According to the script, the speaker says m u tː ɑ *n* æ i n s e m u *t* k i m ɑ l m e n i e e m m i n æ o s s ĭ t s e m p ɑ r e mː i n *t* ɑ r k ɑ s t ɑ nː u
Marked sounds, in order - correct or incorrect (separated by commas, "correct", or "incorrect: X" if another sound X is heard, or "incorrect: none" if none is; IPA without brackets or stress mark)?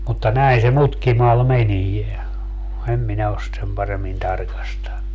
correct, correct, correct